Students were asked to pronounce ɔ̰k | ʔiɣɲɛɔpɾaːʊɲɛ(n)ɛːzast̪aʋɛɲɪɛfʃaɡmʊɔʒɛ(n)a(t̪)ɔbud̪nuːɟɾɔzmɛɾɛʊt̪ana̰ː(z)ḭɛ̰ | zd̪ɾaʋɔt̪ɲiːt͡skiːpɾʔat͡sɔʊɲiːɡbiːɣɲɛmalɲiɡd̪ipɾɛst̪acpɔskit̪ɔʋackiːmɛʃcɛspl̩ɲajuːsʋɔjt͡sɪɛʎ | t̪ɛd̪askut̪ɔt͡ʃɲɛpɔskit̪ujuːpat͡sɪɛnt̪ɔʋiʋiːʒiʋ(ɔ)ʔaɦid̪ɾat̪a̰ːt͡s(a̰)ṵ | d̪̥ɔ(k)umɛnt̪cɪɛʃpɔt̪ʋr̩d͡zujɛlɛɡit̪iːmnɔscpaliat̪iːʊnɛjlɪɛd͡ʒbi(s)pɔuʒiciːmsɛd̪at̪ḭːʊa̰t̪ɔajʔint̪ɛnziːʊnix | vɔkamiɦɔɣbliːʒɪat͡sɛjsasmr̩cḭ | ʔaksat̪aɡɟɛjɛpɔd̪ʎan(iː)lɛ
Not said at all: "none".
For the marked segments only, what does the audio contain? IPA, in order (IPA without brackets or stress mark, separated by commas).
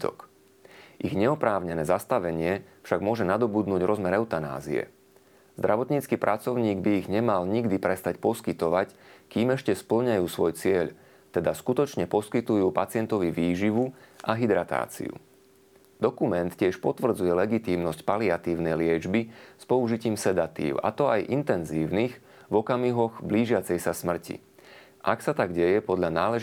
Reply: n, n, d̪, z, u, ḭ, k, s, aː